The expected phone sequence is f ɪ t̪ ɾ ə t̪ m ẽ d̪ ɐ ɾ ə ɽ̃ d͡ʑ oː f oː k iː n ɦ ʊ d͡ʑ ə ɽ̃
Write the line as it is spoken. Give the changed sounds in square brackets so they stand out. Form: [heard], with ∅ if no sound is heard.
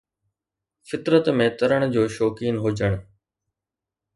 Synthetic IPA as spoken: f ɪ t̪ ɾ ə t̪ m ẽ [t̪] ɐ ɾ ə ɽ̃ d͡ʑ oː [ʃ] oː k iː n ɦ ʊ d͡ʑ ə ɽ̃